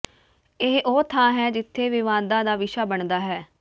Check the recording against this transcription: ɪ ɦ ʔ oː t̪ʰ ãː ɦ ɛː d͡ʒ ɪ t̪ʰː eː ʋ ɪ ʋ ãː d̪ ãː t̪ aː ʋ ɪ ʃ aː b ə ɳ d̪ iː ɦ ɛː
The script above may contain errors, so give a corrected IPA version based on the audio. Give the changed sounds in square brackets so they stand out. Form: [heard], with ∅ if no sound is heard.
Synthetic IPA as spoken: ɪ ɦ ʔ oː t̪ʰ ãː ɦ ɛː d͡ʒ ɪ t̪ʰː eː ʋ ɪ ʋ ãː d̪ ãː [d̪] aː ʋ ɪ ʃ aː b ə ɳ d̪ [aː] ɦ ɛː